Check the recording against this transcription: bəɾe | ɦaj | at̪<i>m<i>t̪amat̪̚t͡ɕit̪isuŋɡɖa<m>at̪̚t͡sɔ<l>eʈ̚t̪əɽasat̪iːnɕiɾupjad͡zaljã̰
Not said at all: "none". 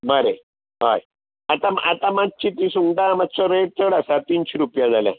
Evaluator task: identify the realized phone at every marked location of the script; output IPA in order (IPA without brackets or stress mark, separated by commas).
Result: a, a, m, ɾ